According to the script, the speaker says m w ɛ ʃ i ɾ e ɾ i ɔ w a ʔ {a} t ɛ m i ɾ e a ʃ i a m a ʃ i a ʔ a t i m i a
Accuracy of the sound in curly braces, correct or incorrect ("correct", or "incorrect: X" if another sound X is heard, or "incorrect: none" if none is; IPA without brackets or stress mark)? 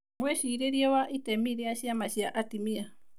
incorrect: i